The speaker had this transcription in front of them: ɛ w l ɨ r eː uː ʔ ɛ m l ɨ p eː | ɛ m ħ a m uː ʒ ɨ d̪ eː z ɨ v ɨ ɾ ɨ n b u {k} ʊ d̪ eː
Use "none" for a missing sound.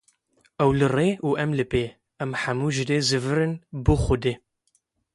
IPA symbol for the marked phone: x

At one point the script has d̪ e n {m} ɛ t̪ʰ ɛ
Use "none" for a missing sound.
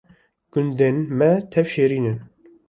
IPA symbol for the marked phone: m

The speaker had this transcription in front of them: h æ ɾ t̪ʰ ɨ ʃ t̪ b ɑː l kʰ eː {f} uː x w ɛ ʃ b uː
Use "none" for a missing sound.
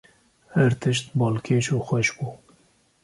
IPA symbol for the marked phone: ʃ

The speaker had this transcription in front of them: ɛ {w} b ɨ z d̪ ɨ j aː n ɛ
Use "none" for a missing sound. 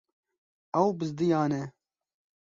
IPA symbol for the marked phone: w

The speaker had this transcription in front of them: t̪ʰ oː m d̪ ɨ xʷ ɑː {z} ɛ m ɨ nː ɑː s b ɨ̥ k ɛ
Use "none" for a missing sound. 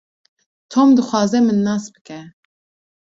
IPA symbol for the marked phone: z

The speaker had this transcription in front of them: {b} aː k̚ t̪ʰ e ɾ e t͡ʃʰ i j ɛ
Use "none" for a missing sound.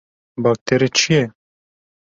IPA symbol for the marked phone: b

